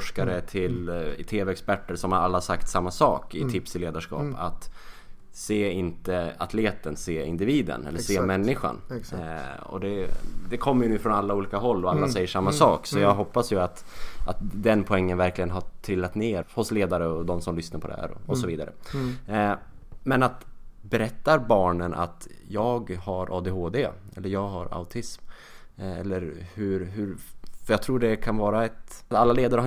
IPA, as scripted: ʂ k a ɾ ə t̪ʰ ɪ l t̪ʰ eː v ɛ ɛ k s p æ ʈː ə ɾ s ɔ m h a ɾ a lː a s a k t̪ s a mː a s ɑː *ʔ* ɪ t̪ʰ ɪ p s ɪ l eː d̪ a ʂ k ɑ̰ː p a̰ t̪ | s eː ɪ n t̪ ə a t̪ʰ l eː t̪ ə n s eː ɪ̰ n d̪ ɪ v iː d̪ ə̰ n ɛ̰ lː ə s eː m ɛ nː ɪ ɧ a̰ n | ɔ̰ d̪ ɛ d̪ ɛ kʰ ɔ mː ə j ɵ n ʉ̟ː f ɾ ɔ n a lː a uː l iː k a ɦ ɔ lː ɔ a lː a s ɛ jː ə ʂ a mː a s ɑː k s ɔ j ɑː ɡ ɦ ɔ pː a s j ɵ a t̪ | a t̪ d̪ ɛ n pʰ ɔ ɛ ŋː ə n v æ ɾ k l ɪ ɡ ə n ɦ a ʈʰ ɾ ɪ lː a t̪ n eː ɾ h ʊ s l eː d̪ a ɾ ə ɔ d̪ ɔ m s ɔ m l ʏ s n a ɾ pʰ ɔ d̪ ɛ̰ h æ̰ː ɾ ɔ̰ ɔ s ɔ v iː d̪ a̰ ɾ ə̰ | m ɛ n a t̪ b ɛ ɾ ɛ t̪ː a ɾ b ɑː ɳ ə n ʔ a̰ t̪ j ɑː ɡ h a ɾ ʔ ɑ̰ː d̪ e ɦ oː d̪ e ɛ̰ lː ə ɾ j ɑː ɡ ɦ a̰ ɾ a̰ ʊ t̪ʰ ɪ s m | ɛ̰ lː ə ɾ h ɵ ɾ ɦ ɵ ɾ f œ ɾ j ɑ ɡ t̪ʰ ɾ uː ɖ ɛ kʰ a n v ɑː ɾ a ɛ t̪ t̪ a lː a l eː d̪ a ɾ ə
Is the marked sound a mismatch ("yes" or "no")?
yes